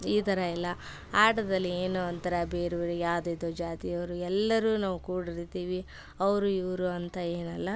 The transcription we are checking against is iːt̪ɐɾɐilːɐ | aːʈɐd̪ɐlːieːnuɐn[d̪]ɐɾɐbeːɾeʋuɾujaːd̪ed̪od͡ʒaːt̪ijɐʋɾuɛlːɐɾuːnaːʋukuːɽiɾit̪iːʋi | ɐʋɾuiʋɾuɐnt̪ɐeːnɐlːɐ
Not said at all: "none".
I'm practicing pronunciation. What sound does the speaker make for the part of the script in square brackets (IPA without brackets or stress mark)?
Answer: t̪